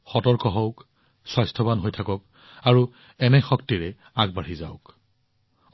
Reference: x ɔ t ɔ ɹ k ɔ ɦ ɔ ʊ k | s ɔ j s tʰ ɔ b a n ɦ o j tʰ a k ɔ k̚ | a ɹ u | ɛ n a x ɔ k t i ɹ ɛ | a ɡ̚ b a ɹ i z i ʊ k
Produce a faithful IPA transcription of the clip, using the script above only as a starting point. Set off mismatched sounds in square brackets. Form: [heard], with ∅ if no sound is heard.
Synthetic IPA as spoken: x ɔ t ɔ ɹ k ɔ ɦ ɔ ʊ k | s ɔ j s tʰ ɔ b a n ɦ o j tʰ a k ɔ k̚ | a ɹ u | ɛ n [ɛ] x ɔ k t i ɹ ɛ | a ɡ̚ b a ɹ i z [a] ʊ k